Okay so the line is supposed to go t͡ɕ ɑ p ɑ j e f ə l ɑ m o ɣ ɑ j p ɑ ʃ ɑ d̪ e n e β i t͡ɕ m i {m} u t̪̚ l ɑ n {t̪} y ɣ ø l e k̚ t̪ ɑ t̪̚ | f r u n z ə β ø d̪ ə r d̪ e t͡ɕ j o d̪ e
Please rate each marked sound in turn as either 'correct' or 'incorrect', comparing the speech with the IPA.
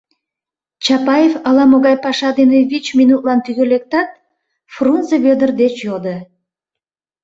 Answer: incorrect, correct

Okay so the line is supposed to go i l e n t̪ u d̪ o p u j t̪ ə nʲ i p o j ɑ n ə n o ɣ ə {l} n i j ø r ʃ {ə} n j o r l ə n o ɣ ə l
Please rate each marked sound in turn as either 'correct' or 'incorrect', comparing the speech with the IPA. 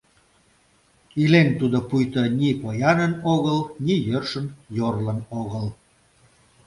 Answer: correct, correct

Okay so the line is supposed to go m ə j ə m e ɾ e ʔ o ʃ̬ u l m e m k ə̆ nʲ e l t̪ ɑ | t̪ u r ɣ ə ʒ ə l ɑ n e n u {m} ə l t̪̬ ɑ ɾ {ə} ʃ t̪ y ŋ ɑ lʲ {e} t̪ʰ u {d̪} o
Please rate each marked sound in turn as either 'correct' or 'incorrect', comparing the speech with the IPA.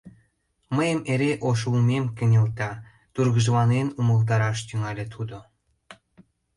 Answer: correct, incorrect, correct, correct

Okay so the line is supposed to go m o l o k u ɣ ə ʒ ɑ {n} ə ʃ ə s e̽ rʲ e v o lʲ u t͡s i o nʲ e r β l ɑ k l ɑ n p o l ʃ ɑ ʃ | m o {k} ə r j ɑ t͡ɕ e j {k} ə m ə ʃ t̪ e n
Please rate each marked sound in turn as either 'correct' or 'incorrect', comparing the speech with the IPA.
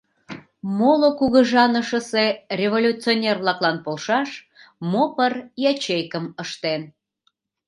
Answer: correct, incorrect, correct

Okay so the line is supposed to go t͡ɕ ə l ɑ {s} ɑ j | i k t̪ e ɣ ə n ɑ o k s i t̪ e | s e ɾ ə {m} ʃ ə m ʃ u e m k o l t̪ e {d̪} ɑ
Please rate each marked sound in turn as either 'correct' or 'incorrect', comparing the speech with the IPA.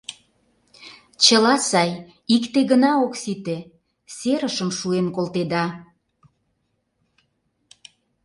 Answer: correct, incorrect, correct

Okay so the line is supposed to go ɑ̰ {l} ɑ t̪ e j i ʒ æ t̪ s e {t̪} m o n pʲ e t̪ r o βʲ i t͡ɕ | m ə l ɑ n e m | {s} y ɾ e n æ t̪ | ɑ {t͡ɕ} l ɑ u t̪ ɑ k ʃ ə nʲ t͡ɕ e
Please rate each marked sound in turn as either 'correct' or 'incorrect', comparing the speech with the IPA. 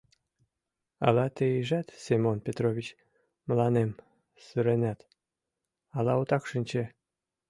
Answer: correct, incorrect, correct, incorrect

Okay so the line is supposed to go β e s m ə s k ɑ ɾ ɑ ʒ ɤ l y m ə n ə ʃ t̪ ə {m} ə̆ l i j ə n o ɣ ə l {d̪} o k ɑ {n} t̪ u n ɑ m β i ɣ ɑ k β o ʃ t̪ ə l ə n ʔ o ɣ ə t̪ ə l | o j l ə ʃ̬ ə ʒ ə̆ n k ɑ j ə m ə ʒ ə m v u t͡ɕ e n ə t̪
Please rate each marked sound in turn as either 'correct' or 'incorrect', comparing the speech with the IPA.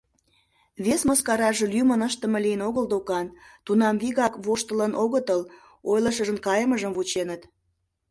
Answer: correct, correct, correct

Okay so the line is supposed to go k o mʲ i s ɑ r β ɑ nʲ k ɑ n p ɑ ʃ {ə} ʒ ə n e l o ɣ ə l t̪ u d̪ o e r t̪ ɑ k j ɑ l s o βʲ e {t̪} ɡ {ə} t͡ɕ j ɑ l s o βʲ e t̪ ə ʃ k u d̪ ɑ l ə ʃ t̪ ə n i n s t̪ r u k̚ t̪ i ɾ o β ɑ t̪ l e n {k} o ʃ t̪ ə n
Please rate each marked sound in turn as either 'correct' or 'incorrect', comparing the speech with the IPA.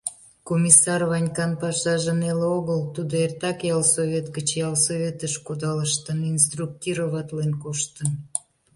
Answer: incorrect, correct, correct, correct

